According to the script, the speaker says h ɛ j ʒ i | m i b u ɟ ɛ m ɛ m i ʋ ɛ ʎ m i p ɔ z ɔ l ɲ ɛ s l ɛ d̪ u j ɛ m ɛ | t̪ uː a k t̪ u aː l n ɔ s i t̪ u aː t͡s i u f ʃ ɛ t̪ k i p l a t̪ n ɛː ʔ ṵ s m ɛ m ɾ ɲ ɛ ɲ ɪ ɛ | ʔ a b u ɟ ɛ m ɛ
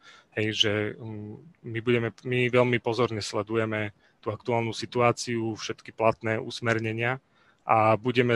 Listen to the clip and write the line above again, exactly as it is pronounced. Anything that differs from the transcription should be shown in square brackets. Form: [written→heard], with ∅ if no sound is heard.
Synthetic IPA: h ɛ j ʒ [i→ɛ] | m i b u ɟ ɛ m ɛ m i ʋ ɛ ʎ m i p ɔ z ɔ [l→ɾ] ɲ ɛ s l ɛ d̪ u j ɛ m ɛ | t̪ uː a k t̪ u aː l n [ɔ→u] s i t̪ u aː t͡s i u f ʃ ɛ t̪ k i p l a t̪ n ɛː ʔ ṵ s m ɛ [m→∅] ɾ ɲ ɛ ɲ ɪ [ɛ→a] | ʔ a b u ɟ ɛ m ɛ